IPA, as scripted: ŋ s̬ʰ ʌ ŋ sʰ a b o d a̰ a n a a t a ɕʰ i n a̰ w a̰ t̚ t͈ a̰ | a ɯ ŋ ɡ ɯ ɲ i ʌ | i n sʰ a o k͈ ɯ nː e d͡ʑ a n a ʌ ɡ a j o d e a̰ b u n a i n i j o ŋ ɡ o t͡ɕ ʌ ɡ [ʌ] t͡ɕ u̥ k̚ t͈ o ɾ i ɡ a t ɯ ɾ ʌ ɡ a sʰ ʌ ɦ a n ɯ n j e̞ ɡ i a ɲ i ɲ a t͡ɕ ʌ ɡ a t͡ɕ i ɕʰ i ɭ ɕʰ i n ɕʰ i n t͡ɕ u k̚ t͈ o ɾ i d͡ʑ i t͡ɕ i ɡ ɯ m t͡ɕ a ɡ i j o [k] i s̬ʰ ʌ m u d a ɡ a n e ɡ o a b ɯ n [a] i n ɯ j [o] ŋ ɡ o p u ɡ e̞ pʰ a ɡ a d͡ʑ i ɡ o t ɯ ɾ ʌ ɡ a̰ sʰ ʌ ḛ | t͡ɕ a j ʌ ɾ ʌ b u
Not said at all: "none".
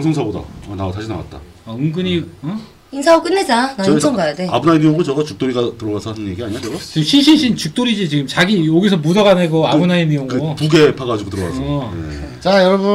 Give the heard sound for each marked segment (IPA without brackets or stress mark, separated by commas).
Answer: a, ɡ, a, o